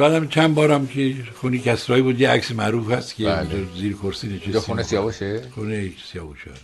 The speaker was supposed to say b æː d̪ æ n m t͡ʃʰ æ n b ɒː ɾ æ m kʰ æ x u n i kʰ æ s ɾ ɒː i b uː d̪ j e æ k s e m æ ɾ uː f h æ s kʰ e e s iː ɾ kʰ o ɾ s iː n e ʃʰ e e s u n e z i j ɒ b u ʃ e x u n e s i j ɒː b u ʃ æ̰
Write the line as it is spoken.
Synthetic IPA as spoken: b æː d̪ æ m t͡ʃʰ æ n b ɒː ɾ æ m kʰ e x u n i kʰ æ s ɾ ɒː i b uː d̪ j e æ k s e m æ ɾ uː f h æ s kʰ e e z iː ɾ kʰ o ɾ s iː n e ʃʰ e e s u n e s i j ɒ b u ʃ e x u n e s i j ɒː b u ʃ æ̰